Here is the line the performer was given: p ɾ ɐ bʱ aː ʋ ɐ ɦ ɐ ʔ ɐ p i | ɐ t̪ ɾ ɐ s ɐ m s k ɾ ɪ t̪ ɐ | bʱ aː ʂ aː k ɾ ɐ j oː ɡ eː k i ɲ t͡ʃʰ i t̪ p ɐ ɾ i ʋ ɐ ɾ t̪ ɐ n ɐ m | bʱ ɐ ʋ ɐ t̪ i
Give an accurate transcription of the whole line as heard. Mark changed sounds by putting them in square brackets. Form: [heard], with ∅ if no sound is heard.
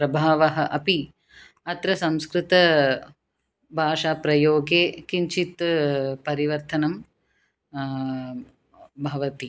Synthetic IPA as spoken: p ɾ ɐ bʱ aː ʋ ɐ ɦ ɐ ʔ ɐ p i | ɐ t̪ ɾ ɐ s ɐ m s k ɾ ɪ t̪ ɐ | bʱ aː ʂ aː [p] ɾ ɐ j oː ɡ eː k i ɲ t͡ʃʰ i t̪ p ɐ ɾ i ʋ ɐ ɾ t̪ ɐ n ɐ m | bʱ ɐ ʋ ɐ t̪ i